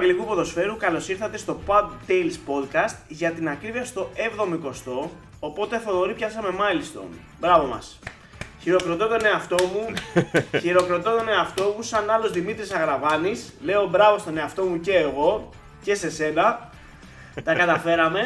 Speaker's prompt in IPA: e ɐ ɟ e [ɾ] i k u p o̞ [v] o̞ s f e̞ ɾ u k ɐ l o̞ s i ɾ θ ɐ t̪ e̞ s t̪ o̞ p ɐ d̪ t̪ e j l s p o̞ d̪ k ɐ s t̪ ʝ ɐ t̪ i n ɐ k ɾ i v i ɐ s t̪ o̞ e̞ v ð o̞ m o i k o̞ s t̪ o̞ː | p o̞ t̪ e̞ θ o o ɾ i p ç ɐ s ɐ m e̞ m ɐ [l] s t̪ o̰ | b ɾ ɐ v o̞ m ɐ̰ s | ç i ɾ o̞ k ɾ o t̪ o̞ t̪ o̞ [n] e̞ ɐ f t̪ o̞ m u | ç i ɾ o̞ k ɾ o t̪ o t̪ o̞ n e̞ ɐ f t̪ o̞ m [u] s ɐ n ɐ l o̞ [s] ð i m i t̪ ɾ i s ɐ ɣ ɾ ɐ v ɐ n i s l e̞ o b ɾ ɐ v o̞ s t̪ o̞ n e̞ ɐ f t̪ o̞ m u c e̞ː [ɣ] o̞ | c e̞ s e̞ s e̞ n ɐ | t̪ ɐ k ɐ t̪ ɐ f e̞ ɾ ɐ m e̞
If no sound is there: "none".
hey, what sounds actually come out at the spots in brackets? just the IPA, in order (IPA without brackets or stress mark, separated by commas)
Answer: l, ð, l, n, u, z, ɣ